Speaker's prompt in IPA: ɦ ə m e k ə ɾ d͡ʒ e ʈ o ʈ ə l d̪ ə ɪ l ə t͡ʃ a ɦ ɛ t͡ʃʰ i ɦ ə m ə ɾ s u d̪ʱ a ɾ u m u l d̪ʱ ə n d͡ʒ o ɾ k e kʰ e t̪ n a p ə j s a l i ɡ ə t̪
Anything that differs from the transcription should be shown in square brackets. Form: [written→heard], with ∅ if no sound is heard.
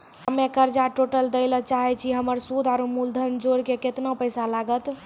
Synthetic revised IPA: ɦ ə m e k ə ɾ d͡ʒ [e→a] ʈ o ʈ ə l d̪ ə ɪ l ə t͡ʃ a ɦ ɛ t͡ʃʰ i ɦ ə m ə ɾ s u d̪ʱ a ɾ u m u l d̪ʱ ə n d͡ʒ o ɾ k e [kʰ→k] e t̪ n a p ə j s a l [i→a] ɡ ə t̪